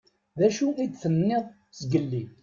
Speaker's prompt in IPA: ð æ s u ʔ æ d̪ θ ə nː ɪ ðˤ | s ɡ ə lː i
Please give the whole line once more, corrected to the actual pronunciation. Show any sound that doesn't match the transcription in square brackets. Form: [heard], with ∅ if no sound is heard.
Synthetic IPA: ð æ [ʃ] u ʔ [i] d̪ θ ə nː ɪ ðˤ | s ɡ ə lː i